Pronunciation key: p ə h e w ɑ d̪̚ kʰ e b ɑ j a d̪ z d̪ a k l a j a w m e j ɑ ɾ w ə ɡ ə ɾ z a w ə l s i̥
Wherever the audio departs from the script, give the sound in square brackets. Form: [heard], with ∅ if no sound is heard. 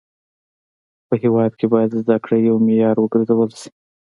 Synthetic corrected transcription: p ə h e w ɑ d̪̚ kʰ e b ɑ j a d̪ z d̪ a k [ɽ] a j a w m e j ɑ ɾ w ə ɡ ə ɾ z a w ə l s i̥